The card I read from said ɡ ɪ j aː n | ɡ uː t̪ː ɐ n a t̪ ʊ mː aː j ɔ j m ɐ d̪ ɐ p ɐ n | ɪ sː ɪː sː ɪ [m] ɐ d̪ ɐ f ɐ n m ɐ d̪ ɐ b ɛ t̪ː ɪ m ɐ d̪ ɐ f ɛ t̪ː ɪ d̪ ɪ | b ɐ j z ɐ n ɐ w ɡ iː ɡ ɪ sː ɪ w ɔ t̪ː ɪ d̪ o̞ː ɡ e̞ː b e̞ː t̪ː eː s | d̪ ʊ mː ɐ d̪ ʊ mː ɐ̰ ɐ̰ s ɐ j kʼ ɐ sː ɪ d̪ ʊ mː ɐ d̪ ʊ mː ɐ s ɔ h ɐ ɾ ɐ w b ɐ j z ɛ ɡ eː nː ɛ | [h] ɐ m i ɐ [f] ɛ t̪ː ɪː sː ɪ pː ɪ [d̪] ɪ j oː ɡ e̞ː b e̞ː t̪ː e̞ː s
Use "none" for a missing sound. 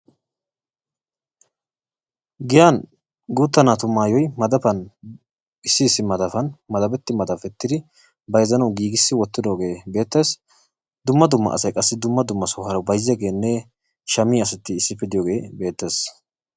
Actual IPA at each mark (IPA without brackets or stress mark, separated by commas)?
m, ʃ, s, d̪